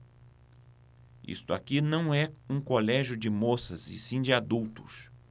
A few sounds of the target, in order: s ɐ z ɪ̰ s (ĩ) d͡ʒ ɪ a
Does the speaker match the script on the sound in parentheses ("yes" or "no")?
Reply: yes